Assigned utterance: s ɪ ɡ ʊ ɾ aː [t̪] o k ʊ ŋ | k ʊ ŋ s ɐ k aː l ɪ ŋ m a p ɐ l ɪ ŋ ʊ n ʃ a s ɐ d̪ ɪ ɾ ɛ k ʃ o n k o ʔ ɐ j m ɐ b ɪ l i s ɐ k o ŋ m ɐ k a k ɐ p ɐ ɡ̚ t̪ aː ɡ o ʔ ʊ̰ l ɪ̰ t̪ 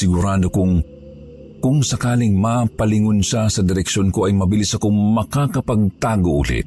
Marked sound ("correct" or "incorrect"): incorrect